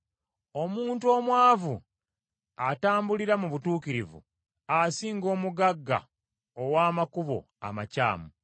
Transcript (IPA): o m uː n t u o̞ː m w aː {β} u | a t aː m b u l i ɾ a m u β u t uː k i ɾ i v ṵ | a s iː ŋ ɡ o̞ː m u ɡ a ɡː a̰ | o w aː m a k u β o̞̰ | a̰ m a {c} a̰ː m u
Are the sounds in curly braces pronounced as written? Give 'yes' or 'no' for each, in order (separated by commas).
no, yes